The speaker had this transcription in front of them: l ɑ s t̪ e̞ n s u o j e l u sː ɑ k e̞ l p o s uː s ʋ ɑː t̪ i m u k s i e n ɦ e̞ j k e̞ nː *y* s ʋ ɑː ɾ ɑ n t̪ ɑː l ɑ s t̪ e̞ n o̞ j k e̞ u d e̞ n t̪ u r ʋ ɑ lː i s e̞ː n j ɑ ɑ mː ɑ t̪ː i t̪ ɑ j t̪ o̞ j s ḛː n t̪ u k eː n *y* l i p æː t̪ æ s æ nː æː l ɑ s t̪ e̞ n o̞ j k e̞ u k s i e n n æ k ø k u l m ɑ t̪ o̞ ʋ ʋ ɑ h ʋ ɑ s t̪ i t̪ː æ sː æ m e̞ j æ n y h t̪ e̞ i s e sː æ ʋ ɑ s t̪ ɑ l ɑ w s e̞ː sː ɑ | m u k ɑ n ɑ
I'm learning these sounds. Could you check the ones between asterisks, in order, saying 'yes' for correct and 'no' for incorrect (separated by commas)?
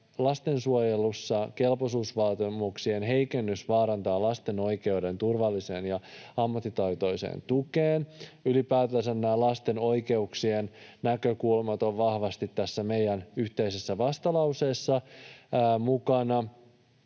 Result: yes, yes